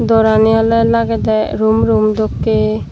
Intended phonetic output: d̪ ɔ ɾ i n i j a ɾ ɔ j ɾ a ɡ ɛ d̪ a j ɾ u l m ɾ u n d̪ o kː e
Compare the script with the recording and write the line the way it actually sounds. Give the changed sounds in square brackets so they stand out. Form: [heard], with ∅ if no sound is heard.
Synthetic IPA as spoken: d̪ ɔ ɾ [a] n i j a [l] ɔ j [l] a ɡ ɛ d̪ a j ɾ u [∅] m ɾ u [m] d̪ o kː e